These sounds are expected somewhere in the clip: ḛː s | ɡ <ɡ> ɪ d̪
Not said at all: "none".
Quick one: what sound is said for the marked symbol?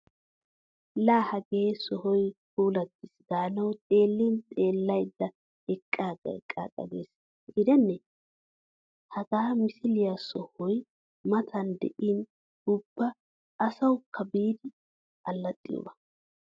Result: ɡ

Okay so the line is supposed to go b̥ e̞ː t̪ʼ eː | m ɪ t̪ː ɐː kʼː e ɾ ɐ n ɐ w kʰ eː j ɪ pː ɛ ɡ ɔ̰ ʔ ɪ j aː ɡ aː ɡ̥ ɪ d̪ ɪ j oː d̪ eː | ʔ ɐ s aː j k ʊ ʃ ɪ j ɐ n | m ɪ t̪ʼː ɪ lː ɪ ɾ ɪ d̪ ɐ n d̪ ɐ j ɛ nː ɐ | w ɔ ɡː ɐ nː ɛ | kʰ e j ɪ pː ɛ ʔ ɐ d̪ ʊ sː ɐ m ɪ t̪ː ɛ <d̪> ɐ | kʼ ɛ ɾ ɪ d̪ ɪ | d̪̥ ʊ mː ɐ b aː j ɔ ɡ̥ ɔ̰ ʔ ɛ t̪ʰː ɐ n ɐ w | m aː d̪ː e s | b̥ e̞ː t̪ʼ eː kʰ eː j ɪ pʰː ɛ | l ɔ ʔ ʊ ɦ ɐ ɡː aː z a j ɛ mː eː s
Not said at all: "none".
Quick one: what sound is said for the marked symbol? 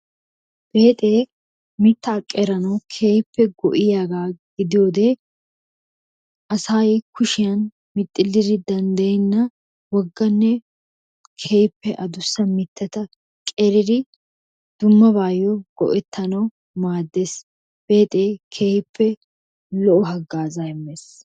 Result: t̪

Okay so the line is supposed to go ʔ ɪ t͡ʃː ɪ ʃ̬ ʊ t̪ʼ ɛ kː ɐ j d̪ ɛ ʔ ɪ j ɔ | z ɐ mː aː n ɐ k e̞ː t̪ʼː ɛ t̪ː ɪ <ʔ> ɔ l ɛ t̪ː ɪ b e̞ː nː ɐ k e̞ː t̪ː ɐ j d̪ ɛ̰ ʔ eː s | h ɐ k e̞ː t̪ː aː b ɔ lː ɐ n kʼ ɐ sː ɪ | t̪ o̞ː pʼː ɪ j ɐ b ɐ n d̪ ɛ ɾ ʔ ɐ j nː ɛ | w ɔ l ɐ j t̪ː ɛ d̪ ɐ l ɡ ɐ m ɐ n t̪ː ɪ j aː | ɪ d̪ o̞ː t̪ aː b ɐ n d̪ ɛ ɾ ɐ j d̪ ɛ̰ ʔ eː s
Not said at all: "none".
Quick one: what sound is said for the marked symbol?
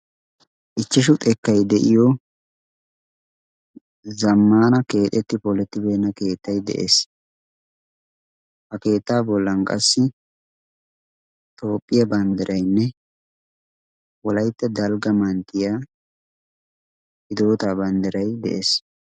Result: p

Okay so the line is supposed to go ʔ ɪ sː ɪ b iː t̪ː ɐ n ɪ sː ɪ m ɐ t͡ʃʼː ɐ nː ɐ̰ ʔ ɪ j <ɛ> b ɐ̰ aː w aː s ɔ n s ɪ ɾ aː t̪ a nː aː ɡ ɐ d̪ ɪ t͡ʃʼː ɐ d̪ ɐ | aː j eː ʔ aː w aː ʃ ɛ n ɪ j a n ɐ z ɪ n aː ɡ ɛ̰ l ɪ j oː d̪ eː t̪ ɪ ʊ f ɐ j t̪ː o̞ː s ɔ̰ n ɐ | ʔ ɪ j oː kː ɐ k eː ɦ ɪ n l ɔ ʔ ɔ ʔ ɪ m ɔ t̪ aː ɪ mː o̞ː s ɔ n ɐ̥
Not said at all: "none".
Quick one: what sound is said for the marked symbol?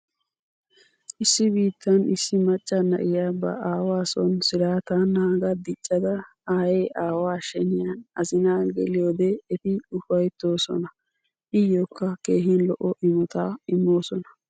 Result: a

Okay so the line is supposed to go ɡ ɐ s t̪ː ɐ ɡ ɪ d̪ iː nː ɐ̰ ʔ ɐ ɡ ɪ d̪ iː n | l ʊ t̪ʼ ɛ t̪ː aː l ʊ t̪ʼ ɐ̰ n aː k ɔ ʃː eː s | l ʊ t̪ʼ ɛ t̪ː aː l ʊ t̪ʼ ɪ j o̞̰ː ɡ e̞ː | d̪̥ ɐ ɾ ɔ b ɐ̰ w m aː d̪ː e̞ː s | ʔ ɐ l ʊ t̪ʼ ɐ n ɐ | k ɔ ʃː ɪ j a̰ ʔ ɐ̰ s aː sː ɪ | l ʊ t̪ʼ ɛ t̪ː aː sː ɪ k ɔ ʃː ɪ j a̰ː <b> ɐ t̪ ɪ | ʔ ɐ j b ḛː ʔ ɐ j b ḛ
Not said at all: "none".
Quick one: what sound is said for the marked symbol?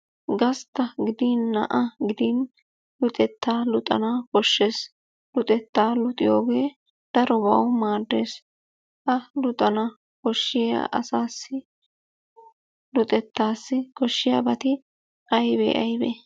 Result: b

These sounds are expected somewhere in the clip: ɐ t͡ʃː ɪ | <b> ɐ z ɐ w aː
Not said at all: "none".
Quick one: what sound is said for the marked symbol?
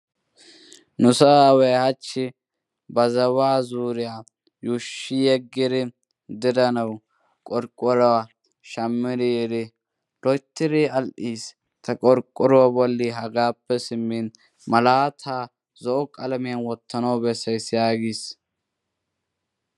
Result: b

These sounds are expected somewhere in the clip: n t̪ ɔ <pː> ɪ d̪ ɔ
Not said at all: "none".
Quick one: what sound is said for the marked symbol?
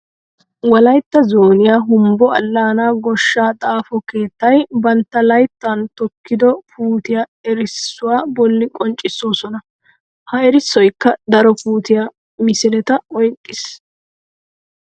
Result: kː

